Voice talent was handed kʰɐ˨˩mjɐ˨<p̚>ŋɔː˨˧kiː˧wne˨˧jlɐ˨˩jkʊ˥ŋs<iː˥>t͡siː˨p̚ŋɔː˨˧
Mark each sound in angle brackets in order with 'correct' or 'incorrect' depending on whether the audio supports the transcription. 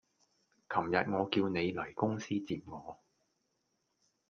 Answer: incorrect, correct

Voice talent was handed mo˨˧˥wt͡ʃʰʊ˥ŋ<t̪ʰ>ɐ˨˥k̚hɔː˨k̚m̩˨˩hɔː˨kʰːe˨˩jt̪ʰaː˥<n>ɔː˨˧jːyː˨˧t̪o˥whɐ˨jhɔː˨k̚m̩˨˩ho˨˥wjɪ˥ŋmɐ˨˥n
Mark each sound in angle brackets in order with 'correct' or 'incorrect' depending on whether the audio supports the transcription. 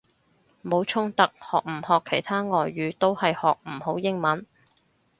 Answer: incorrect, incorrect

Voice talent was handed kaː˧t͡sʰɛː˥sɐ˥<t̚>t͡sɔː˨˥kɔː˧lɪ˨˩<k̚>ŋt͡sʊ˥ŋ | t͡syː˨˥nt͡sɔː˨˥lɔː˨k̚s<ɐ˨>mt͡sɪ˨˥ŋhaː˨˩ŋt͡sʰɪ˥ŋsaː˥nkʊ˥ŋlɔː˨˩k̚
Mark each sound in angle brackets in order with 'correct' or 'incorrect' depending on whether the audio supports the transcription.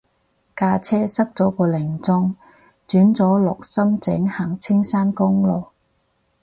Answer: incorrect, incorrect, incorrect

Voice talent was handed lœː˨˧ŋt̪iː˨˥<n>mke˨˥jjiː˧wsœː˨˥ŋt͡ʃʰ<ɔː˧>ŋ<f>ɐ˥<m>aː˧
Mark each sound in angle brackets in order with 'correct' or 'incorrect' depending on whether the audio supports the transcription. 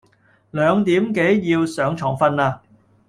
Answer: incorrect, incorrect, correct, incorrect

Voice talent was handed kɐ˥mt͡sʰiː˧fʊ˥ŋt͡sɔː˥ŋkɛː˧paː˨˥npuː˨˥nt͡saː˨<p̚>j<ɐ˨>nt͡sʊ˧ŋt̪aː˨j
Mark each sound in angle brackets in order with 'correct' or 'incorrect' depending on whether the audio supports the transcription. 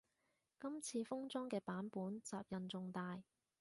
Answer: correct, correct

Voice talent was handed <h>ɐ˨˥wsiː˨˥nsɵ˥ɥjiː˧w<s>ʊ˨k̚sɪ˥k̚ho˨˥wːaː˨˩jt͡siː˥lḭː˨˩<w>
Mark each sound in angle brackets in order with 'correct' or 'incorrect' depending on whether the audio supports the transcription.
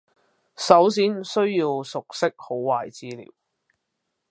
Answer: incorrect, correct, correct

